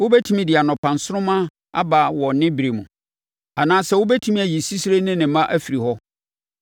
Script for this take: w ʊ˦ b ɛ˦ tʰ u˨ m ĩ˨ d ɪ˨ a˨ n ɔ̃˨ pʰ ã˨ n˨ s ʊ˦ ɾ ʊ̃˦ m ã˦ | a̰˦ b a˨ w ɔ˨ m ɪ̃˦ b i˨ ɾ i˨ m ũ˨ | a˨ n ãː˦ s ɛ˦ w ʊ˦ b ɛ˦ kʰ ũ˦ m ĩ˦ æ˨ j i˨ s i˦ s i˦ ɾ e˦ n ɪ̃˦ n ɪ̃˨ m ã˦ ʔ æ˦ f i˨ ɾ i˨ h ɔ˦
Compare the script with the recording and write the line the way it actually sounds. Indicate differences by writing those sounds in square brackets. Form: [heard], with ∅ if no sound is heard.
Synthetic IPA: w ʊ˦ b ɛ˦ tʰ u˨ m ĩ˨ d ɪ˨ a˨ n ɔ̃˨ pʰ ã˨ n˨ s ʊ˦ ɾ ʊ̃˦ m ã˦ | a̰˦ b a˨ w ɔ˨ [n] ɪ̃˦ b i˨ ɾ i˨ m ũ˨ | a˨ n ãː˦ s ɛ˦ w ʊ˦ b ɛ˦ [tʰ] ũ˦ m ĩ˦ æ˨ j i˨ s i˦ s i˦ ɾ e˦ n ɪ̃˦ n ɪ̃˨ m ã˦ ʔ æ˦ f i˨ ɾ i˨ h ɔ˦